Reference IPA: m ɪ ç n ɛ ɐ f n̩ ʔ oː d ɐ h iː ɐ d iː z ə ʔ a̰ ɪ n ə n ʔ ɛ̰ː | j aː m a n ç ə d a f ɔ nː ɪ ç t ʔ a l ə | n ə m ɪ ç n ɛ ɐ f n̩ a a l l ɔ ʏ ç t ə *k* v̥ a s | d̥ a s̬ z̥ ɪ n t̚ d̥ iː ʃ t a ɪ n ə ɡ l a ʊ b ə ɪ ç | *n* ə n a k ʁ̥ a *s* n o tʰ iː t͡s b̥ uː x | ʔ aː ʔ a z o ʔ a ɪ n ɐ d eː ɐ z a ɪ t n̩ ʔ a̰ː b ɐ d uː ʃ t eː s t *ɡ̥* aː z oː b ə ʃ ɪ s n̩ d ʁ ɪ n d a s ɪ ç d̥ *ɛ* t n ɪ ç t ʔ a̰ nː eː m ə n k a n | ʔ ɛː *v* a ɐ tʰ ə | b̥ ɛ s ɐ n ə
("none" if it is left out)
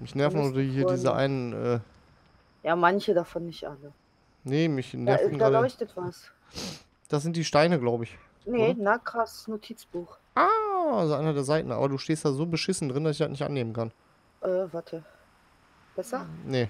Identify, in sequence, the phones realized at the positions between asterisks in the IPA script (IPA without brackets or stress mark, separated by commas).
t, n, s, d̥, a, v